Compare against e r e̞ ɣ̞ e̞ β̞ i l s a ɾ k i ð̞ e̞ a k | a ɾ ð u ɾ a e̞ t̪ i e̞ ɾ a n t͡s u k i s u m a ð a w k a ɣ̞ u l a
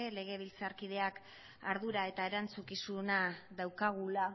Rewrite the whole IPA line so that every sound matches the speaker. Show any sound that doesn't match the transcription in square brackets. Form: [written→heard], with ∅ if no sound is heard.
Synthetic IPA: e [r→l] e̞ ɣ̞ e̞ β̞ i l [s→t͡s] a ɾ k i ð̞ e̞ a k | a ɾ ð u ɾ a e̞ t̪ [i→a] e̞ ɾ a n t͡s u k i s u [m→n] a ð a w k a ɣ̞ u l a

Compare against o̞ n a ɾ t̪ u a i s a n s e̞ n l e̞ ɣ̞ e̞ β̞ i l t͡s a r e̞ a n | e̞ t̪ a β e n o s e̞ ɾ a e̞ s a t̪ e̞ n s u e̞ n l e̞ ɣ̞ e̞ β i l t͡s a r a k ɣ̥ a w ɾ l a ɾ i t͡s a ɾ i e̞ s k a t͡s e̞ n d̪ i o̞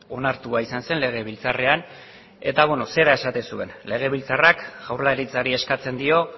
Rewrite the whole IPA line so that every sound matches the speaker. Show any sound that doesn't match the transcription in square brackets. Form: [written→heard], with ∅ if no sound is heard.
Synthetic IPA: o̞ n a ɾ t̪ u a i s a n s e̞ n l e̞ ɣ̞ e̞ β̞ i l t͡s a r e̞ a n | e̞ t̪ a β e n o s e̞ ɾ a e̞ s a t̪ e̞ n s u e̞ n l e̞ ɣ̞ e̞ β i l t͡s a r a k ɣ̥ a w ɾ l a ɾ i t͡s a ɾ i e̞ s k a t͡s e̞ n d̪ i o̞

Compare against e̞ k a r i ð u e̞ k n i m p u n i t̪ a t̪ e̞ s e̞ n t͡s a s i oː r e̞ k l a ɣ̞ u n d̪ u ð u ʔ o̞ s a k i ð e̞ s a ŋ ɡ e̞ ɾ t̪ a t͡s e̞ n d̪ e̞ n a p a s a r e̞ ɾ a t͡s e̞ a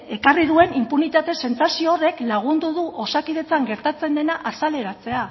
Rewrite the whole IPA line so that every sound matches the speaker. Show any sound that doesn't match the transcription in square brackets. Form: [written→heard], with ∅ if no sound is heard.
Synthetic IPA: e̞ k a r i ð u e̞ [k→∅] n i m p u n i t̪ a t̪ e̞ s e̞ n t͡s a s i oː r e̞ k l a ɣ̞ u n d̪ u ð u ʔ o̞ s a k i ð e̞ [s→t͡s] a ŋ ɡ e̞ ɾ t̪ a t͡s e̞ n d̪ e̞ n a [p→ʔ] a s a [r→l] e̞ ɾ a t͡s e̞ a

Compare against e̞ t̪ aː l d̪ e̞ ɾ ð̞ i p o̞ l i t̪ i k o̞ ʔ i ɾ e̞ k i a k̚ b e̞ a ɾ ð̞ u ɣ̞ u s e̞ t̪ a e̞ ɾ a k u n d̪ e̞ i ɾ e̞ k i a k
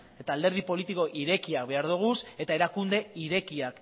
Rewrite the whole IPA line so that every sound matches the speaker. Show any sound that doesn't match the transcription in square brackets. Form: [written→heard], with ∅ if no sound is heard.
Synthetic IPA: e̞ t̪ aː l d̪ e̞ ɾ ð̞ i p o̞ l i t̪ i k o̞ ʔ i ɾ e̞ k i a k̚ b e̞ a ɾ ð̞ u ɣ̞ u s e̞ t̪ a e̞ ɾ a k u n d̪ e̞ i ɾ e̞ k i a k

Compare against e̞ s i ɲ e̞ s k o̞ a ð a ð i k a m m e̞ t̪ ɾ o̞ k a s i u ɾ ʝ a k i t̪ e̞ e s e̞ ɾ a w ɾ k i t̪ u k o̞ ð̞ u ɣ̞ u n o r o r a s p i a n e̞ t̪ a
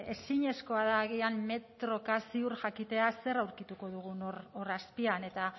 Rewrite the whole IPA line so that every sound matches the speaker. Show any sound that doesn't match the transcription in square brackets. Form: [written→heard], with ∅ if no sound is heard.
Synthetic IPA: e̞ s i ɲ e̞ s k o̞ a ð a [ð→ɣ] i [k→∅] a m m e̞ t̪ ɾ o̞ k a s i u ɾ ʝ a k i t̪ e̞ [e→a] s e̞ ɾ a w ɾ k i t̪ u k o̞ ð̞ u ɣ̞ u n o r o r a s p i a n e̞ t̪ a

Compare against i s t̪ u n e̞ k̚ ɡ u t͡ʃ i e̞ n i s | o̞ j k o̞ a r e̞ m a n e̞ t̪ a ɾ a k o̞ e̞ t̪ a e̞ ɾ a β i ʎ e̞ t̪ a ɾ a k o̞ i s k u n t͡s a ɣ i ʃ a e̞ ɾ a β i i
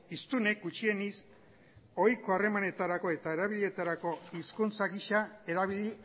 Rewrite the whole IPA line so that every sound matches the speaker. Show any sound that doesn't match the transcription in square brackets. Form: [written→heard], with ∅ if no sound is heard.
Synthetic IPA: i s t̪ u n e̞ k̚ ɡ u t͡ʃ i e̞ n i s | o̞ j k o̞ a r e̞ m a n e̞ t̪ a ɾ a k o̞ e̞ t̪ a e̞ ɾ a β i ʎ e̞ t̪ a ɾ a k o̞ i s k u n t͡s a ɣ i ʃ a e̞ ɾ a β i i

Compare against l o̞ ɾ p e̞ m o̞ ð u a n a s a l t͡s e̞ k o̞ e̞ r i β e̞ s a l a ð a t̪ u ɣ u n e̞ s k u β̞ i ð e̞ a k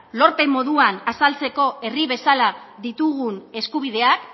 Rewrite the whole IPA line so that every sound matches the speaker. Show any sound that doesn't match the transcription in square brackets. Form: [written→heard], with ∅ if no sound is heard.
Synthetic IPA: l o̞ ɾ p e̞ m o̞ ð u a n a s a l t͡s e̞ k o̞ e̞ r i β e̞ s a l a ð [a→i] t̪ u ɣ u n e̞ s k u β̞ i ð e̞ a k

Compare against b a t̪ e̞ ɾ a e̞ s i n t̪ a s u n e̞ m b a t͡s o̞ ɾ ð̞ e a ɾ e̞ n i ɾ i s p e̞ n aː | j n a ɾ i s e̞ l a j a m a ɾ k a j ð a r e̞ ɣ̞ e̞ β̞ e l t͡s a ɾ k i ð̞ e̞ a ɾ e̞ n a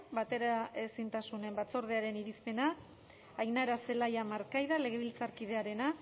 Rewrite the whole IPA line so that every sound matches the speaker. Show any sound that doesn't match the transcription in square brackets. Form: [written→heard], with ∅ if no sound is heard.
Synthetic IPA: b a t̪ e̞ ɾ a e̞ s i n t̪ a s u n e̞ m b a t͡s o̞ ɾ ð̞ e a ɾ e̞ n i ɾ i s p e̞ n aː | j n a ɾ [i→a] s e̞ l a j a m a ɾ k a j ð a [r→l] e̞ ɣ̞ e̞ β̞ [e→i] l t͡s a ɾ k i ð̞ e̞ a ɾ e̞ n a

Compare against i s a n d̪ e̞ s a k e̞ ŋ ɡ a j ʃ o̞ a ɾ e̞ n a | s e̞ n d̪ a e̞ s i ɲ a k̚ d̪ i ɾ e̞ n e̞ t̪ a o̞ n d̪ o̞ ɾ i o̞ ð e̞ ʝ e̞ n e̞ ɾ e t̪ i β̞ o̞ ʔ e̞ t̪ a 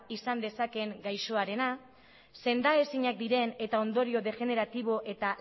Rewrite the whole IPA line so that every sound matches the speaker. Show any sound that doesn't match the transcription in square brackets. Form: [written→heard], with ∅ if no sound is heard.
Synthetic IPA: i s a n d̪ e̞ s a k e̞ ŋ ɡ a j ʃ o̞ a ɾ e̞ n a | s e̞ n d̪ a e̞ s i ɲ a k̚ d̪ i ɾ e̞ n e̞ t̪ a o̞ n d̪ o̞ ɾ i o̞ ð e̞ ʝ e̞ n e̞ ɾ [e→a] t̪ i β̞ o̞ ʔ e̞ t̪ a

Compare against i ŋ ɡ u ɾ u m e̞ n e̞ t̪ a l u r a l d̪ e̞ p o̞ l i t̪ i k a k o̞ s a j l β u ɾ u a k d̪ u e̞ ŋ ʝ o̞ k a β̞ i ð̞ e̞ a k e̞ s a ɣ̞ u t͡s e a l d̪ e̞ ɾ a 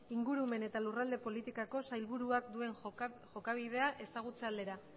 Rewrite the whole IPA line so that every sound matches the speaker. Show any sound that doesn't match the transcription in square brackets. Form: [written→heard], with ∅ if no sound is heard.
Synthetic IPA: i ŋ ɡ u ɾ u m e̞ n e̞ t̪ a l u r a l d̪ e̞ p o̞ l i t̪ i k a k o̞ s a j l β u ɾ u a k d̪ u e̞ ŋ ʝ o̞ k a β̞ i ð̞ e̞ a [k→ʔ] e̞ s a ɣ̞ u t͡s e a l d̪ e̞ ɾ a

